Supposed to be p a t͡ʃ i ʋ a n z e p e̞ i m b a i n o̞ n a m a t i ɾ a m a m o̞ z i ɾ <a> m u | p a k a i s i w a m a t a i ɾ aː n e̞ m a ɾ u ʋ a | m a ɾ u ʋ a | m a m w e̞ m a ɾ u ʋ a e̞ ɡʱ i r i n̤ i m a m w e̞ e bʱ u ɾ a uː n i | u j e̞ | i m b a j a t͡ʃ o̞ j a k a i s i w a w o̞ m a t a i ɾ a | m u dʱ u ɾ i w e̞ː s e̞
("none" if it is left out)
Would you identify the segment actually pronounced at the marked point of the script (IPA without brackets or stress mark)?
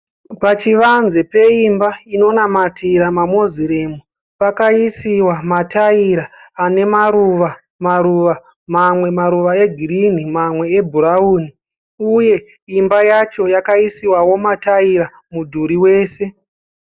e